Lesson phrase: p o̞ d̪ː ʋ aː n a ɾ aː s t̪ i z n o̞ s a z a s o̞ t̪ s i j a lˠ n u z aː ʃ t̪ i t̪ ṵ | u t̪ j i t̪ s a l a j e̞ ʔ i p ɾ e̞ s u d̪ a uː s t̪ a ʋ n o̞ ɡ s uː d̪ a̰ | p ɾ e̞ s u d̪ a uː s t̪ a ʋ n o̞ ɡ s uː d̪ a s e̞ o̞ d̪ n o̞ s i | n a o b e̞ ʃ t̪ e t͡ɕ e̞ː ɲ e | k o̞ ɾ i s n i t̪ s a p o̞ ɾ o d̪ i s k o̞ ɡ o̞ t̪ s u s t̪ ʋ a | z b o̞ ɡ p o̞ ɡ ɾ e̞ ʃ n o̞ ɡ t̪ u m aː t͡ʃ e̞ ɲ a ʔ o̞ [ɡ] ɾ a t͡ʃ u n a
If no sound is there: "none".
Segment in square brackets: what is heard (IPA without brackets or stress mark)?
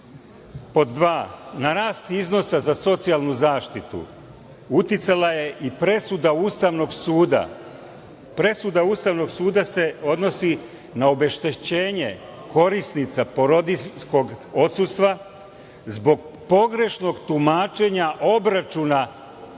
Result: b